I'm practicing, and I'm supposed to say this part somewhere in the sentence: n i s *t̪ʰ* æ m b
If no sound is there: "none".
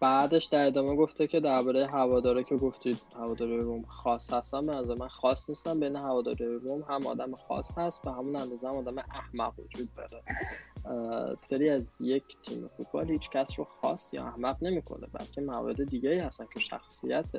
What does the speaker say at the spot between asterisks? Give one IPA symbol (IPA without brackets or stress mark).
t̪